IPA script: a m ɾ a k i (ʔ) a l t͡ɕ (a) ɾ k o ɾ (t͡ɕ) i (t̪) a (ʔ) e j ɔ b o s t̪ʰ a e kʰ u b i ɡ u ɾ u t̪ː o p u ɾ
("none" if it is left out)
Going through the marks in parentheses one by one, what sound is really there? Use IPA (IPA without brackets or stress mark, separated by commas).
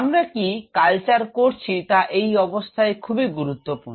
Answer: k, a, t͡ɕʰ, t̪, ʔ